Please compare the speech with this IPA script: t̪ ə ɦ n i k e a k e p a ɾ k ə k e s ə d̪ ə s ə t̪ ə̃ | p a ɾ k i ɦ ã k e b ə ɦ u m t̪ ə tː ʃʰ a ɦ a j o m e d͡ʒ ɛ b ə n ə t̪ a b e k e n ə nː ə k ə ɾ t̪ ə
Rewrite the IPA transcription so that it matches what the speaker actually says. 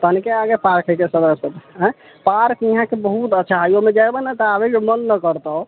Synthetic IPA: t̪ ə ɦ n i k e a ɡ e p a ɾ k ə k e s ə d̪ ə s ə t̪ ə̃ | p a ɾ k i ɦ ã k e b ə ɦ u t̪ ə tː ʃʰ a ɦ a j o m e d͡ʒ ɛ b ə n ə t̪ a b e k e m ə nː ə k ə ɾ t̪ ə